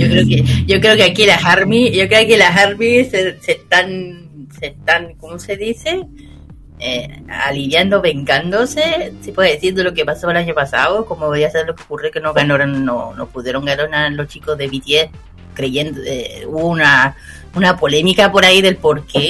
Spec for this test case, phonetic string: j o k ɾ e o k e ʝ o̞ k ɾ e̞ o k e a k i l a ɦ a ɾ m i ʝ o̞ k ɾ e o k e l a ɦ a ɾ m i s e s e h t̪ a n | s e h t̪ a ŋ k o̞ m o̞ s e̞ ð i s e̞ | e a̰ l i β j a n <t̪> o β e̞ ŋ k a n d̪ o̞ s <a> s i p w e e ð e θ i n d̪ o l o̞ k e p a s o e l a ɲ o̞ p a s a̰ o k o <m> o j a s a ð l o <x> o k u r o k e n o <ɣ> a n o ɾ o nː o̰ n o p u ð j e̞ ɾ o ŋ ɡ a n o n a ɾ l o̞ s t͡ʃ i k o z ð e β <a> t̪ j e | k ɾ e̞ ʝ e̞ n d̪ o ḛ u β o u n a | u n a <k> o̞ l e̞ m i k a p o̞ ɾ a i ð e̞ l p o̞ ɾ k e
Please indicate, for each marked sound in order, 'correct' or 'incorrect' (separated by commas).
incorrect, incorrect, correct, incorrect, correct, incorrect, incorrect